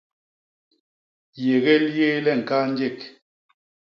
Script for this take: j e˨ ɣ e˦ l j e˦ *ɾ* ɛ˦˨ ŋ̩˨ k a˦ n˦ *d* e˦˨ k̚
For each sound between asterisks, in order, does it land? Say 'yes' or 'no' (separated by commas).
no, no